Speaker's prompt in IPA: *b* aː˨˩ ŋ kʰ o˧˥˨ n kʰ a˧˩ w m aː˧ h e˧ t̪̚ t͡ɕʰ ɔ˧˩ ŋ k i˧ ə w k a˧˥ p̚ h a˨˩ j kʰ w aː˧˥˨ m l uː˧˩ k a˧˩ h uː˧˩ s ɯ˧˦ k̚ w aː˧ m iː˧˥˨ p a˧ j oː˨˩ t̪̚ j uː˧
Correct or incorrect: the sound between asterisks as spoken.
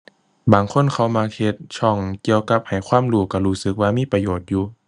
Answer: correct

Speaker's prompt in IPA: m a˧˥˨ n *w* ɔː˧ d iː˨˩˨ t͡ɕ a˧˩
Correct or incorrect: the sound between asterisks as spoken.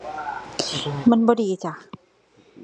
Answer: incorrect: b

